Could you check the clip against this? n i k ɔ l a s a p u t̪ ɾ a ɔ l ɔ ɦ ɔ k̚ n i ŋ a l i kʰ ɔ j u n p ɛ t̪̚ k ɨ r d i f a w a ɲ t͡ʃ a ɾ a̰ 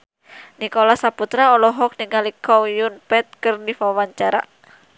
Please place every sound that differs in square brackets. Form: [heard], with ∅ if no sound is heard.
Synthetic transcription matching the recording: n i k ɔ l a s a p u t̪ ɾ a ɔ l ɔ ɦ ɔ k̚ n i ŋ a l i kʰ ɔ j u n p ɛ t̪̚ k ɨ r d i f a w a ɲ t͡ʃ a ɾ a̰